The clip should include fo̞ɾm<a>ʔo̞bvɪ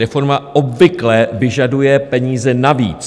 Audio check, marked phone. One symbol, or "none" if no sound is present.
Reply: a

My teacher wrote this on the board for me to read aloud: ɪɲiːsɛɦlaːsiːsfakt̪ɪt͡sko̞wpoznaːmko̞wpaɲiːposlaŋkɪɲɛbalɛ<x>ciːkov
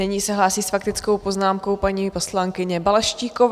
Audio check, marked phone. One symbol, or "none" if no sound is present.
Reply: ʃ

